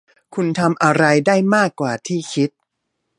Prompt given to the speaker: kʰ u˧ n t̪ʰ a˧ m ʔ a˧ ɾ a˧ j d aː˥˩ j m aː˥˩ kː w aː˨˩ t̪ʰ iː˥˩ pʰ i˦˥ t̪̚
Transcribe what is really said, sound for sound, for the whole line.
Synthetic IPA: kʰ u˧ n t̪ʰ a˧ m ʔ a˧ ɾ a˧ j d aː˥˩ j m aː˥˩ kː w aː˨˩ t̪ʰ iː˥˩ kʰ i˦˥ t̪̚